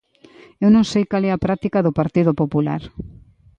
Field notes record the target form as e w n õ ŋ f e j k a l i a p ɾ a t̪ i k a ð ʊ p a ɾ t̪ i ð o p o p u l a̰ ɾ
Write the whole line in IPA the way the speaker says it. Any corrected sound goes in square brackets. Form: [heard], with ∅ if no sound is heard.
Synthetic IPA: e w n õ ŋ [s] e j k a l [ɛ] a p ɾ a t̪ i k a ð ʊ p a ɾ t̪ i ð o p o p u l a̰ ɾ